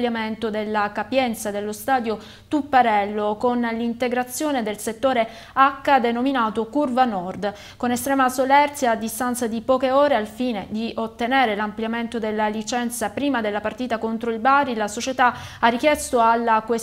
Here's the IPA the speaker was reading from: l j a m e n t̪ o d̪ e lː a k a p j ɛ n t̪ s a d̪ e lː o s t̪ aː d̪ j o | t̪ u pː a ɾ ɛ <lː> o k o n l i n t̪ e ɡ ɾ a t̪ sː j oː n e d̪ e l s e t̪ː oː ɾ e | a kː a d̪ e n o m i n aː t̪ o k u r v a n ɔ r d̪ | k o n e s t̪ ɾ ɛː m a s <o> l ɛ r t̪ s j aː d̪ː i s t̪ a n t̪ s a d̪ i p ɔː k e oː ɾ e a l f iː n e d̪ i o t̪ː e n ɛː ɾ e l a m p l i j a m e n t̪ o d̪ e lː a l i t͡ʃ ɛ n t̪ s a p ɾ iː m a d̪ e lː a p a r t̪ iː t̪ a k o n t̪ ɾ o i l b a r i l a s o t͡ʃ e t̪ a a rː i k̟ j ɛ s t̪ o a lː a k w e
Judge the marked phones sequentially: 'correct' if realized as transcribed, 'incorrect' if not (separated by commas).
correct, correct